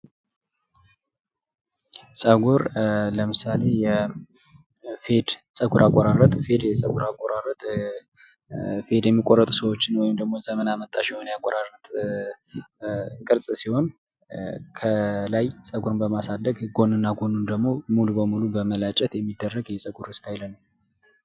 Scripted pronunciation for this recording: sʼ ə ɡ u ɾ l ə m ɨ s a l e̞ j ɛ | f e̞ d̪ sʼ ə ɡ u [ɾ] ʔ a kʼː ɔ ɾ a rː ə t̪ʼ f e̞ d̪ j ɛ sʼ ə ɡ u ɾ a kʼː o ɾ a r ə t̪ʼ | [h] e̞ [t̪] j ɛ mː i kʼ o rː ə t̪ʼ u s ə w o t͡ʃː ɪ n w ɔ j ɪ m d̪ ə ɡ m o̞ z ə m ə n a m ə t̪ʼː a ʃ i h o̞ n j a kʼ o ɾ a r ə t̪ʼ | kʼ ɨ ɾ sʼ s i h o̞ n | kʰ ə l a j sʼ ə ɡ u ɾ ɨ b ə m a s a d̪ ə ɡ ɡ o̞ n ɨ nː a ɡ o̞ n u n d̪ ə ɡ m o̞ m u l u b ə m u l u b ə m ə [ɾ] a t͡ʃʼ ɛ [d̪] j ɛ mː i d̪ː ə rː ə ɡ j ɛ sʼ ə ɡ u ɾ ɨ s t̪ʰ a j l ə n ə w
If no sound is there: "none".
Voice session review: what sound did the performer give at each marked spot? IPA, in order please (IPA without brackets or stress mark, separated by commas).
ɾ, f, d̪, l, t̪